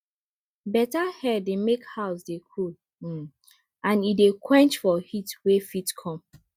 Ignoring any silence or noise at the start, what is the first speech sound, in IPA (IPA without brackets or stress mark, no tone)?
b